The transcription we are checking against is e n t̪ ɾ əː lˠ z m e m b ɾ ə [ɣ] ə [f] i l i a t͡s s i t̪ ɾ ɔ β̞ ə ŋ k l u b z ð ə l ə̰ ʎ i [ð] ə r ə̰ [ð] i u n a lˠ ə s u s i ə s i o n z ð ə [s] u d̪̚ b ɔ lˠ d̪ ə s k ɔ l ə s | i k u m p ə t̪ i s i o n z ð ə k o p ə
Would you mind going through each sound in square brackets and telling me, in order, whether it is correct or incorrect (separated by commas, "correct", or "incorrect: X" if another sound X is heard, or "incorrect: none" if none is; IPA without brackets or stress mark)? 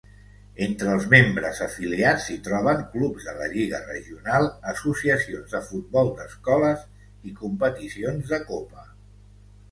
incorrect: z, correct, incorrect: ɣ, incorrect: ʒ, incorrect: f